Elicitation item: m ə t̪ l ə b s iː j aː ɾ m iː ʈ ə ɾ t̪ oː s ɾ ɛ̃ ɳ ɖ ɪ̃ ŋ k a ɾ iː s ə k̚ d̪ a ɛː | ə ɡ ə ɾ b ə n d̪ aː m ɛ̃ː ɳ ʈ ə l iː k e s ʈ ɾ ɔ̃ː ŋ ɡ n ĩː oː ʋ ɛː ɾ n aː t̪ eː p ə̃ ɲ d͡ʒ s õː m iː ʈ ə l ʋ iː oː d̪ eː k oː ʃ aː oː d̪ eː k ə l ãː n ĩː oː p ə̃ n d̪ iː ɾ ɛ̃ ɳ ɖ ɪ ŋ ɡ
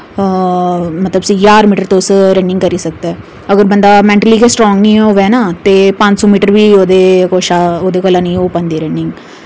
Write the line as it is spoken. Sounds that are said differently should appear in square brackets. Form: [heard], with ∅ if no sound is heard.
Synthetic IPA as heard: m ə t̪ l ə b s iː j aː ɾ m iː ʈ ə ɾ t̪ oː s ɾ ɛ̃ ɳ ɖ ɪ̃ ŋ k [ə] ɾ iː s ə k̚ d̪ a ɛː | ə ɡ ə ɾ b ə n d̪ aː m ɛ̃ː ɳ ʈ ə l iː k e s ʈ ɾ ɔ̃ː ŋ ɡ n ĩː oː ʋ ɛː [∅] n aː t̪ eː p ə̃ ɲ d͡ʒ s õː m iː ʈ ə [ɾ] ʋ iː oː d̪ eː k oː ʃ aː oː d̪ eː k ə l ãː n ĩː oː p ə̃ n d̪ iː ɾ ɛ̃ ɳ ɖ ɪ ŋ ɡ